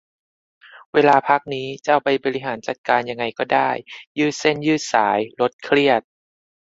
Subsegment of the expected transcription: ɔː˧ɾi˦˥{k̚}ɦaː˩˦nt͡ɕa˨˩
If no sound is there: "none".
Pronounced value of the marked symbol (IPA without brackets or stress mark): none